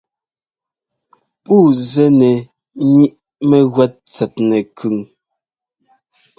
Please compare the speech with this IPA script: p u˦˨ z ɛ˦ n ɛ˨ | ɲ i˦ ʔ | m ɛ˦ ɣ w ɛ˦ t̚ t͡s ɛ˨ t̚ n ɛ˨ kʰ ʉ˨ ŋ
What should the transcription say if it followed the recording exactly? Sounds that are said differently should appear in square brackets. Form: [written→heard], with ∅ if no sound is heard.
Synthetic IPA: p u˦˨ z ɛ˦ n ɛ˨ | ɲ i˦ ʔ | m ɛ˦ ɣ w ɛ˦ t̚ t͡s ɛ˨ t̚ n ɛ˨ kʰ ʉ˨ ŋ